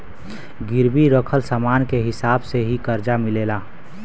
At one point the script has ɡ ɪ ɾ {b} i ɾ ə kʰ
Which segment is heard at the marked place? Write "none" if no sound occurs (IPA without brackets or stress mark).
b